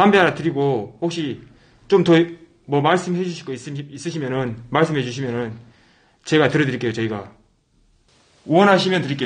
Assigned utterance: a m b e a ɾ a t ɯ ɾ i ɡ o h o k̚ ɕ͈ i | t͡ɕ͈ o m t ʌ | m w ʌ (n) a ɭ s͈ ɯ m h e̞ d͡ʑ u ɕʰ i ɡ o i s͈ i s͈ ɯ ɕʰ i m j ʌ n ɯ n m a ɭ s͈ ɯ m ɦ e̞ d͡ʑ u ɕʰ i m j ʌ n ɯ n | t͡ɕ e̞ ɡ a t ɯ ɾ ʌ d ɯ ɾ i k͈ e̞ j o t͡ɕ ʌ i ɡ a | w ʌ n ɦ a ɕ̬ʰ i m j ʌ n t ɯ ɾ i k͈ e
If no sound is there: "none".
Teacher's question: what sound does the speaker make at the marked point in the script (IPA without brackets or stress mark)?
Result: m